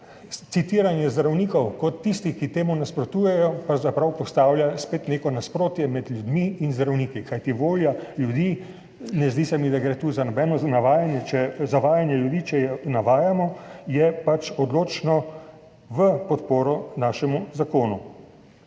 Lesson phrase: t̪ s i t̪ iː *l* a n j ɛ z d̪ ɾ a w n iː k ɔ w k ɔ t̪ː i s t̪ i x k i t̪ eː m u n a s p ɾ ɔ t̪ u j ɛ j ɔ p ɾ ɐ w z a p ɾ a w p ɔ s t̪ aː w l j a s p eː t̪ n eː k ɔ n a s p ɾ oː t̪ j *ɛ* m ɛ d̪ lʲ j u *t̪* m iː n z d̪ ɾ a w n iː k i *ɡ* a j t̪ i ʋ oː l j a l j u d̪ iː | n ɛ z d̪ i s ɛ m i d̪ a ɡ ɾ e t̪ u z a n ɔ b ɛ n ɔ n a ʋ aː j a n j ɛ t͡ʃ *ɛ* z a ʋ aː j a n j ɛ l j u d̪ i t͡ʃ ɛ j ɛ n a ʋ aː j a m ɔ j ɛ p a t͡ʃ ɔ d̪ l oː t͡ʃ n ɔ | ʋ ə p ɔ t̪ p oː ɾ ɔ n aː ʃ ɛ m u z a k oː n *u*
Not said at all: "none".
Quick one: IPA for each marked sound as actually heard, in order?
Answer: ɾ, ɛ, d̪, k, ɛ, u

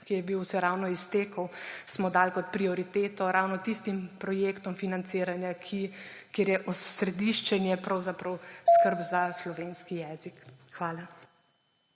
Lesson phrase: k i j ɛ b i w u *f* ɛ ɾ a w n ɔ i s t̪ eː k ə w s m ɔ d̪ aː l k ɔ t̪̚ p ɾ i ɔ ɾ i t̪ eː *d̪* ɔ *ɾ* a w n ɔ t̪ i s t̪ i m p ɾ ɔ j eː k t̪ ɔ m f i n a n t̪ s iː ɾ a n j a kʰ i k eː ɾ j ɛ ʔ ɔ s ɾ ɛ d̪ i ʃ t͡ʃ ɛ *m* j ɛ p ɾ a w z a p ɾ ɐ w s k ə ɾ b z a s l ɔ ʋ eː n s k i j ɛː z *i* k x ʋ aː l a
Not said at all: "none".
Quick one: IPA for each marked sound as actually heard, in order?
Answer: s, t̪, ɾ, n, i

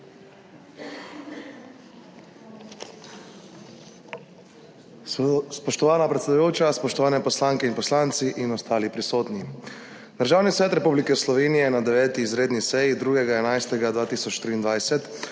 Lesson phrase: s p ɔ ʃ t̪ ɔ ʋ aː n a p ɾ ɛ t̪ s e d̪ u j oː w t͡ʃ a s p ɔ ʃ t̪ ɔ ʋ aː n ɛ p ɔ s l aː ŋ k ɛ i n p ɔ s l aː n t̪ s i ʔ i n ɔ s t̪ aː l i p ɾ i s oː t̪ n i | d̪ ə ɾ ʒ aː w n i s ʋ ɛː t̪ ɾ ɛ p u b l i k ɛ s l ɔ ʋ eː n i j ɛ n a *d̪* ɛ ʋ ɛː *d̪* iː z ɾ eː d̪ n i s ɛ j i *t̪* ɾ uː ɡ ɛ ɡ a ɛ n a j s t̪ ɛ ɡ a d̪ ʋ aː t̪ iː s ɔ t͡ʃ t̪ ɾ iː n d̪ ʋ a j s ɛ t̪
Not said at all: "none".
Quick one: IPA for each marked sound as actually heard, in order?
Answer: d̪, t̪, d̪

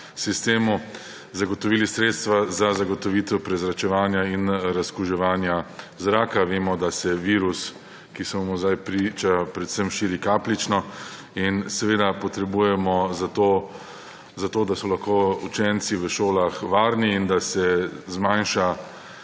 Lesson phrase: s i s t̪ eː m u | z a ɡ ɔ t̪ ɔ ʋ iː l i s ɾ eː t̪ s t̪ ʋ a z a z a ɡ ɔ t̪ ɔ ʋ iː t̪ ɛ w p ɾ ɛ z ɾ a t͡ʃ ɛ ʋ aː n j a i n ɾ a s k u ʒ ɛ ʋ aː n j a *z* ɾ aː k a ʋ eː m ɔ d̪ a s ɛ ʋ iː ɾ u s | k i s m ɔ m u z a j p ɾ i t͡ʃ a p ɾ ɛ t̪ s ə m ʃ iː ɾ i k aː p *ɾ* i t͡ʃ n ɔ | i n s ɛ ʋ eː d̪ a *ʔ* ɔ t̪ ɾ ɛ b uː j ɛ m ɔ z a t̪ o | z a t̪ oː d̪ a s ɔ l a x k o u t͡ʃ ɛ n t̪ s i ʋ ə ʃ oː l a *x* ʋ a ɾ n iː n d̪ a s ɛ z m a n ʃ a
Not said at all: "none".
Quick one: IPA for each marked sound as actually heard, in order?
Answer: z, l, p, x

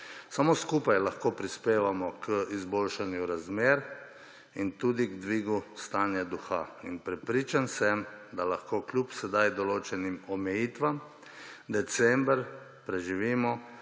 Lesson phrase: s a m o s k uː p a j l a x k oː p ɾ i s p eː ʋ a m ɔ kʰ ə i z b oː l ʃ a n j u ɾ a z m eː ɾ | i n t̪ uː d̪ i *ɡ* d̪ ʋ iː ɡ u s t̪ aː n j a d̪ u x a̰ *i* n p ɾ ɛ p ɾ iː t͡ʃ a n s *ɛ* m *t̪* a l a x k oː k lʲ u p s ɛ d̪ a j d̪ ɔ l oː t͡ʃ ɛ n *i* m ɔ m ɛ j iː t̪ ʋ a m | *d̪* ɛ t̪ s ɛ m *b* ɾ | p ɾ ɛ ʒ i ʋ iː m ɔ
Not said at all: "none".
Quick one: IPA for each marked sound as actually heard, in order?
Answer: ɡ, i, ɛ, d̪, i, d̪, b

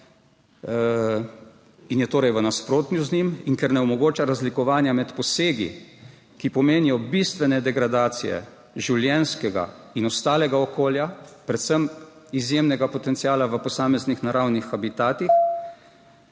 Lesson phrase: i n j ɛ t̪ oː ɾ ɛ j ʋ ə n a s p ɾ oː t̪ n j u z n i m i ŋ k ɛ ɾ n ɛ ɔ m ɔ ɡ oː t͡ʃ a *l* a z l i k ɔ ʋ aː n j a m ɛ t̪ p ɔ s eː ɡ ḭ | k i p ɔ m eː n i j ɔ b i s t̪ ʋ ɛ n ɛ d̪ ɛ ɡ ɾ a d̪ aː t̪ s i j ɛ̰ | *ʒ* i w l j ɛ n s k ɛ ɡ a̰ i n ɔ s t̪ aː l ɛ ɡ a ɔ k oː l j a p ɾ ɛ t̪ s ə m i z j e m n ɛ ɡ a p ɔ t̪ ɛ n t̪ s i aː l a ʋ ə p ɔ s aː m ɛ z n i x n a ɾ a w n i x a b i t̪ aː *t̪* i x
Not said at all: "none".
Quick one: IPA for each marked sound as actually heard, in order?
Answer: ɾ, ʒ, t̪

